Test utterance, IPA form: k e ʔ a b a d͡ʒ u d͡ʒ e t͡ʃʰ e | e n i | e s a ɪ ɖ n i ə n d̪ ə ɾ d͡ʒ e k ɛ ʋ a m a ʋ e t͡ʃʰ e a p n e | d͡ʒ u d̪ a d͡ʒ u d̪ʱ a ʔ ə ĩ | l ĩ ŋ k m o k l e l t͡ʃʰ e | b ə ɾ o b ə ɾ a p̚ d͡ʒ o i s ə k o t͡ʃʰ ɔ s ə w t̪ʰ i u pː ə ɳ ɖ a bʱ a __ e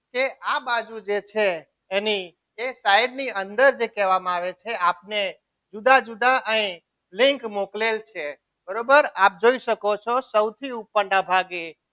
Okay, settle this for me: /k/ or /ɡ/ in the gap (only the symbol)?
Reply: ɡ